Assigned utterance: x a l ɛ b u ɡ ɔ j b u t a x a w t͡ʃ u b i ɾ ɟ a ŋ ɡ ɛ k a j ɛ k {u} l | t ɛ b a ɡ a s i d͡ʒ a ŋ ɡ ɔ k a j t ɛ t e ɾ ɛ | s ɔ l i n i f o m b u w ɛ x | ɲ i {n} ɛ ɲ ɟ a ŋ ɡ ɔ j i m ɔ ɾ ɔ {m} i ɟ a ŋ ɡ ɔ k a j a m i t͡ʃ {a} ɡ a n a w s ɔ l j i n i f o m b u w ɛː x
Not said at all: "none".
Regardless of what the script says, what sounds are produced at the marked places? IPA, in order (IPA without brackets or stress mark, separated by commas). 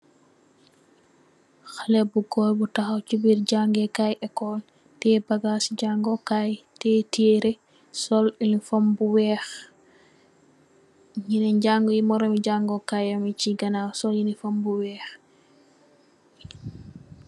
ɔ, n, m, i